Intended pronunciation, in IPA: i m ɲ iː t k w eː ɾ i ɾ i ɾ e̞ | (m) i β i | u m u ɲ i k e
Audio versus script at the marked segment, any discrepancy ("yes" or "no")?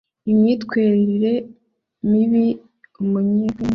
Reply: no